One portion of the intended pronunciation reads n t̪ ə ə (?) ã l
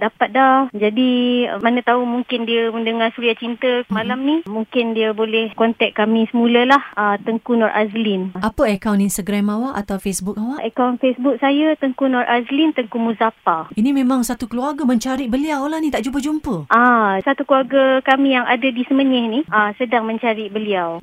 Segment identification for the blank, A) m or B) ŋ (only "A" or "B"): A